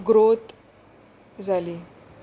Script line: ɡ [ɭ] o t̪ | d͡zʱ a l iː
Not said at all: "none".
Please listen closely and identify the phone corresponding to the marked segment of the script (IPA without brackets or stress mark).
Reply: ɾ